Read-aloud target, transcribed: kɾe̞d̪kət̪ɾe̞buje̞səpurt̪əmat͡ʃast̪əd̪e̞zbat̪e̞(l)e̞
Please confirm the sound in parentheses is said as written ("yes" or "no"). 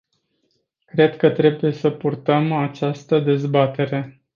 no